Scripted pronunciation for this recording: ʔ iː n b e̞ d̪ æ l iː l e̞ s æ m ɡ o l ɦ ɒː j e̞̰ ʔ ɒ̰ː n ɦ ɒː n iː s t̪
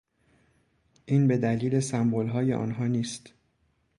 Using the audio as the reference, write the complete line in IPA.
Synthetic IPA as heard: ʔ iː n b e̞ d̪ æ l iː l e̞ s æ m b o l ɦ ɒː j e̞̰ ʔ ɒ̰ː n ɦ ɒː n iː s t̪